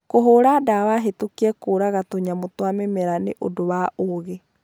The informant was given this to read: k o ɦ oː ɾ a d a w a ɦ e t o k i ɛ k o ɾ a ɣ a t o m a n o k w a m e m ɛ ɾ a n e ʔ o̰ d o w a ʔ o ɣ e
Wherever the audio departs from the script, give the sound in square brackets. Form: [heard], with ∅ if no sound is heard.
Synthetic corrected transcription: k o ɦ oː ɾ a d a w a ɦ e t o k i ɛ k o ɾ a ɣ a t o [ɲ] a [m] o [t] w a m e m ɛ ɾ a n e ʔ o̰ d o w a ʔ o ɣ e